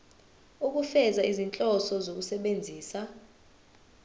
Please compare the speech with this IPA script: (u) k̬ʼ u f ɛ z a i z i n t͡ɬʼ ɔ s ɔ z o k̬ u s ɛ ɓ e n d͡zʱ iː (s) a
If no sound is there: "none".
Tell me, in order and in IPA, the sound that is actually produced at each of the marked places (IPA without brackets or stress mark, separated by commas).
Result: u, s